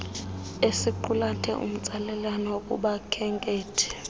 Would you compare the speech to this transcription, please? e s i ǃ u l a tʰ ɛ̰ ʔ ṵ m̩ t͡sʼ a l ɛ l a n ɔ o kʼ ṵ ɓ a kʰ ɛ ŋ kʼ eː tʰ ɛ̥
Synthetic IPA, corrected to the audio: e s i ǃ u l a tʰ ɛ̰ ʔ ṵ m̩ t͡sʼ a l ɛ l a n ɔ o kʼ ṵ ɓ a kʰ ɛ ŋ kʼ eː tʰ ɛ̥